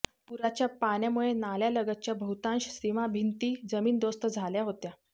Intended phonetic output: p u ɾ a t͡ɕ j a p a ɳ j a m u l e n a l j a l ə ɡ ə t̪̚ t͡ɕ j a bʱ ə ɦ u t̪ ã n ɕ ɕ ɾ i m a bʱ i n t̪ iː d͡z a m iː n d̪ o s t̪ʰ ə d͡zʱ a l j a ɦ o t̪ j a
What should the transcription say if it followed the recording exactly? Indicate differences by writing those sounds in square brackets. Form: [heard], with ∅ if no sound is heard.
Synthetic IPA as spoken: p u ɾ a t͡ɕ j a p a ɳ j a m u [ɭ] e n a l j a l ə ɡ ə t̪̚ t͡ɕ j a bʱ ə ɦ u t̪ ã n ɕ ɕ ɾ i m a bʱ i n t̪ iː d͡z [ə] m iː n d̪ o s [t̪] ə d͡zʱ a l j a ɦ o t̪ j a